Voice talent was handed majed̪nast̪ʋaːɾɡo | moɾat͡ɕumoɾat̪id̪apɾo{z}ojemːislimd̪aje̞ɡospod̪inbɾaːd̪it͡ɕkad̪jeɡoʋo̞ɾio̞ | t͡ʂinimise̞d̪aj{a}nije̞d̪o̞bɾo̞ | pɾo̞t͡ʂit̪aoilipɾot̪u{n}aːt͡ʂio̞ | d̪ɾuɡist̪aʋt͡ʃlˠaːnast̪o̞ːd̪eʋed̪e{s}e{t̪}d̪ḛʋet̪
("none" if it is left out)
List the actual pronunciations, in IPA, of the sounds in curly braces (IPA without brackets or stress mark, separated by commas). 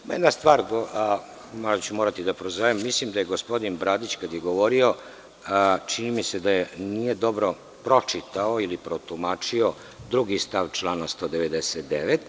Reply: z, e, m, s, t̪